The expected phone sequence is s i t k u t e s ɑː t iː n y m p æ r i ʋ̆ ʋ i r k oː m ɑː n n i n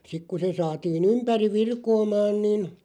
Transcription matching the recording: s i k k u s e s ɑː t iː n y m p æ r i ʋ̆ ʋ i r k oː m ɑː n n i n